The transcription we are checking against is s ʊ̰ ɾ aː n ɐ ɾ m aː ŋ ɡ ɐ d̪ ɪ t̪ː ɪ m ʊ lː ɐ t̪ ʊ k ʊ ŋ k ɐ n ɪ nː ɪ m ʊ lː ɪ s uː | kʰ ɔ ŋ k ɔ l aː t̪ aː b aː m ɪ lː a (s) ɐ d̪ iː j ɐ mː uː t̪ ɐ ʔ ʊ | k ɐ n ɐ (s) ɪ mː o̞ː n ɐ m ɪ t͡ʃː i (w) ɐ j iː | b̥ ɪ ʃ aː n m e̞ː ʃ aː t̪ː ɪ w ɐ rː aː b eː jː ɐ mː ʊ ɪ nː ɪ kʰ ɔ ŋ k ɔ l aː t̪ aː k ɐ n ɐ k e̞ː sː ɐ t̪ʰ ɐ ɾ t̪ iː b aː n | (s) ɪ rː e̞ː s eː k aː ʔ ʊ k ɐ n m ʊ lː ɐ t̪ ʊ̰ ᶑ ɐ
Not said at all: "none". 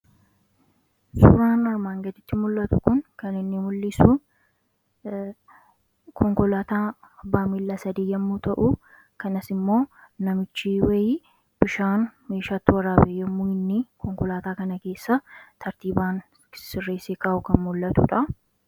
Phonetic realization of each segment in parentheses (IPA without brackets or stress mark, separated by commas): s, s, w, s